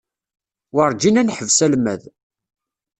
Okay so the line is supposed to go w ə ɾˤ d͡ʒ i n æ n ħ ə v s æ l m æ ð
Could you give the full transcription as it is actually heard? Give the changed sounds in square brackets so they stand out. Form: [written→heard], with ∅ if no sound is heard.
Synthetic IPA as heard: w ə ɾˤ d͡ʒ i n æ n ħ ə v s æ l m æ ð